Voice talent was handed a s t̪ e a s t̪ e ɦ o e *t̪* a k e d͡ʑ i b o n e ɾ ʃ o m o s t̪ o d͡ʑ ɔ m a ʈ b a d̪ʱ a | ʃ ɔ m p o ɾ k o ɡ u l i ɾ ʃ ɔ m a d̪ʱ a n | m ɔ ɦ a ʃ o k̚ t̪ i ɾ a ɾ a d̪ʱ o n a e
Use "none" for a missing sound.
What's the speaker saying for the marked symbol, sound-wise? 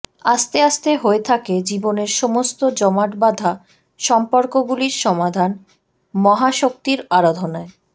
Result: t̪ʰ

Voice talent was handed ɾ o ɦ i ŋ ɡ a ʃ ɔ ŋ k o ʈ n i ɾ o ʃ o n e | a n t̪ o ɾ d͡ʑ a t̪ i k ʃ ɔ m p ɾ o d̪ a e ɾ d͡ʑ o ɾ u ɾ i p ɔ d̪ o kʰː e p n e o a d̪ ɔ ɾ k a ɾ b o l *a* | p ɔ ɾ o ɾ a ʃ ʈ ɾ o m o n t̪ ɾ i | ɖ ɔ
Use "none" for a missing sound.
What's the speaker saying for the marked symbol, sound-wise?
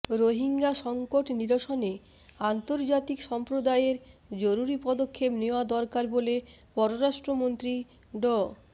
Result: e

